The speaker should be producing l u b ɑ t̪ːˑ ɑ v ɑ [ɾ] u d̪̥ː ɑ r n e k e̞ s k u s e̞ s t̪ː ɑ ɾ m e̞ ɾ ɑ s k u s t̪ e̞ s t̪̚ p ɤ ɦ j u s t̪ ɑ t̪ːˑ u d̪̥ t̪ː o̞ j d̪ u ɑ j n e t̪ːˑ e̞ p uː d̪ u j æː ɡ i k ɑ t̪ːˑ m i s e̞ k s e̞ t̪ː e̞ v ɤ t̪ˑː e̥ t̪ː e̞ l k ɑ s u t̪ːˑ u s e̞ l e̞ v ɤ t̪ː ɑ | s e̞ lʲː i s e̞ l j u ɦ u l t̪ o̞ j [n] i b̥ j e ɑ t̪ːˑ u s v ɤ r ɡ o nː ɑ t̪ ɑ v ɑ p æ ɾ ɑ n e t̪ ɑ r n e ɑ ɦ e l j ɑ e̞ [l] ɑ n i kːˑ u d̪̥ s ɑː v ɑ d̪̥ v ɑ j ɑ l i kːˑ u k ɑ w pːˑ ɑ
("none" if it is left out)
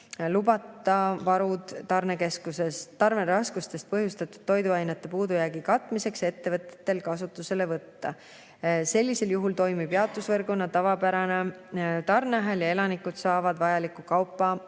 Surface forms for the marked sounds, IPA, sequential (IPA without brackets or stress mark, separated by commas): ɾ, m, l